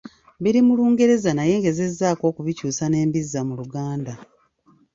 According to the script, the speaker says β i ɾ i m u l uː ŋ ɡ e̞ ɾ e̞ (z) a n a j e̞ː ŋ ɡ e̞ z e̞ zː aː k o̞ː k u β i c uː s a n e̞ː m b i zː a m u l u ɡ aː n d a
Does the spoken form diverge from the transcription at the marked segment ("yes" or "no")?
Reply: no